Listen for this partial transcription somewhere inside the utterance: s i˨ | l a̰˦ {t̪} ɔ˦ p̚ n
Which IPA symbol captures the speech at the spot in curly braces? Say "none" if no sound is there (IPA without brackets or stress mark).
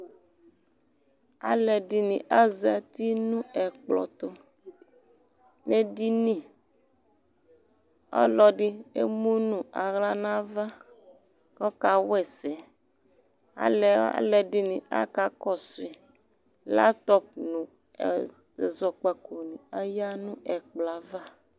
t̪